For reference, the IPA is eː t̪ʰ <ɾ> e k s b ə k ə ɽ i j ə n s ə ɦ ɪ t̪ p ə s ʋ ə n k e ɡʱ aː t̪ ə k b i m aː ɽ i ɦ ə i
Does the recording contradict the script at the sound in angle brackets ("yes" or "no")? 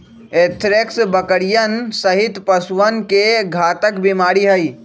no